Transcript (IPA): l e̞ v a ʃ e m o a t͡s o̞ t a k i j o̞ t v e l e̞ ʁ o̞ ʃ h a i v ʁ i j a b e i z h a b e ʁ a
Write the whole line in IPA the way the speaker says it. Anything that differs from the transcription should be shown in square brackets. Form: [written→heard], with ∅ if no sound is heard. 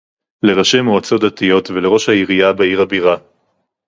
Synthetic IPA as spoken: l e̞ [v→ʁ] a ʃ e m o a t͡s o̞ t a [k→t] i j o̞ t v e l e̞ ʁ o̞ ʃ h a i [v→∅] ʁ i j a b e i [z→ʁ] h a b [e→i] ʁ a